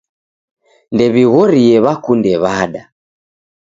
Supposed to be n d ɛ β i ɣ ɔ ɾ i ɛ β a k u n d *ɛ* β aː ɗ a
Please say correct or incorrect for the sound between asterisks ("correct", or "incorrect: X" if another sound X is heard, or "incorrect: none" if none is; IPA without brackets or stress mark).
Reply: correct